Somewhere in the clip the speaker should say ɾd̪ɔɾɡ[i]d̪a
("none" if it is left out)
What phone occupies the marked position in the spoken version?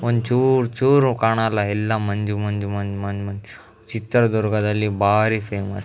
a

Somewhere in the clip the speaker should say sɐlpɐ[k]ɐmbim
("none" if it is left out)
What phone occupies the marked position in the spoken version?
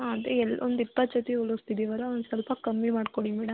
k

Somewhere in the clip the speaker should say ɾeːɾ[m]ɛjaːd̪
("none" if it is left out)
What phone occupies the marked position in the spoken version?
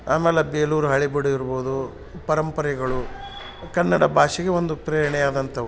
ɳ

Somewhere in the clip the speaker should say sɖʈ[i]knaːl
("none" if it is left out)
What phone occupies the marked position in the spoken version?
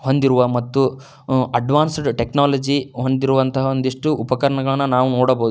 e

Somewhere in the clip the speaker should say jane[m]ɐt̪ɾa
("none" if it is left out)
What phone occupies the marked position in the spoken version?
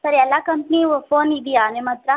m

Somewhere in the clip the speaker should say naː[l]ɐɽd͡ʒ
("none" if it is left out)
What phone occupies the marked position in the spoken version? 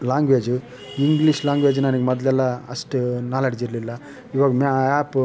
l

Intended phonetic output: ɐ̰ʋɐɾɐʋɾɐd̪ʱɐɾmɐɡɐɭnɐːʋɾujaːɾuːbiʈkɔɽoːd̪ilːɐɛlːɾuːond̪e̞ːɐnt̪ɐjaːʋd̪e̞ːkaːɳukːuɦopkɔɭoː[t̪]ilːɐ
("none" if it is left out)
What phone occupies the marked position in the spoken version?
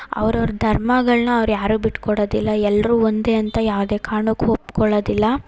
d̪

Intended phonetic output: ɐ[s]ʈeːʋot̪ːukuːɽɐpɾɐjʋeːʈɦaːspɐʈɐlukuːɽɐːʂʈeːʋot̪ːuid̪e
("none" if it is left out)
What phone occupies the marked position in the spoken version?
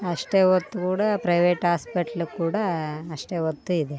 ʂ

